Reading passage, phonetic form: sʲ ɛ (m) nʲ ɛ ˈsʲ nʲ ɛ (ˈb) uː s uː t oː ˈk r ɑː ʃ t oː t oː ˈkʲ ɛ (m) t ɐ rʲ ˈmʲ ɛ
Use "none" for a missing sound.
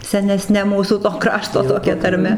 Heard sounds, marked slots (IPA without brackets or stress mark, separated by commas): none, m, none